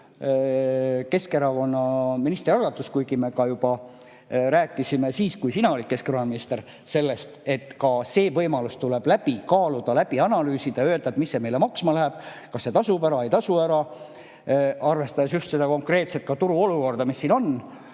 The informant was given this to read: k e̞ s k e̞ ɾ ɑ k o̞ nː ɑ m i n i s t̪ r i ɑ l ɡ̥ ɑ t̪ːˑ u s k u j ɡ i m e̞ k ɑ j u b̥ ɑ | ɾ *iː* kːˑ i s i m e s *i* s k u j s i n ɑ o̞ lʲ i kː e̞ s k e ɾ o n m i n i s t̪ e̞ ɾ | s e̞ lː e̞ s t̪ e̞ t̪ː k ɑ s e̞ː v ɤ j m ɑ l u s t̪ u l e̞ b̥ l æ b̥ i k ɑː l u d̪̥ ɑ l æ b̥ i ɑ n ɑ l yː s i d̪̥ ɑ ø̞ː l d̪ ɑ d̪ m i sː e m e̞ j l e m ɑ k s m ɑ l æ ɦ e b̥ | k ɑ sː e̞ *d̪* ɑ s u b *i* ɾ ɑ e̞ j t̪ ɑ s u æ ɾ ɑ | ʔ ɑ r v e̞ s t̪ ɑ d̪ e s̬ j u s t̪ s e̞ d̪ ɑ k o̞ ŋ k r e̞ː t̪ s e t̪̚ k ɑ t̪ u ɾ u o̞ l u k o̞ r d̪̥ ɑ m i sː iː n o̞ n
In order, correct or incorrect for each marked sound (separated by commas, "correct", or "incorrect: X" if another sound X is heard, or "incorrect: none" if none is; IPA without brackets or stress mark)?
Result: incorrect: æː, incorrect: iː, incorrect: t̪, incorrect: æ